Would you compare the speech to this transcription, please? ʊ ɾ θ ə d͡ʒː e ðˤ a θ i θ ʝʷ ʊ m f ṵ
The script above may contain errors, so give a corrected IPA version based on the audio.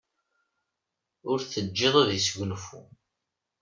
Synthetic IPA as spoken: ʊ ɾ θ ə d͡ʒː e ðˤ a ð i s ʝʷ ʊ n f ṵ